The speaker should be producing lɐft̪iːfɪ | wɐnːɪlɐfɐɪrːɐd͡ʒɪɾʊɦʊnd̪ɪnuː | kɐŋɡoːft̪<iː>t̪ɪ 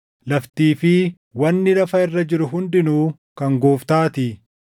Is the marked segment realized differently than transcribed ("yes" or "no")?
yes